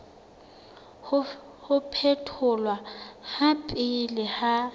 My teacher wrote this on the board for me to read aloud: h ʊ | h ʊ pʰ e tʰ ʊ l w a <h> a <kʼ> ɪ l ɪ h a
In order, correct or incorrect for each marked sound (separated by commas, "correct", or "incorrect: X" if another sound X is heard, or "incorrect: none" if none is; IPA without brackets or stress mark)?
correct, incorrect: pʼ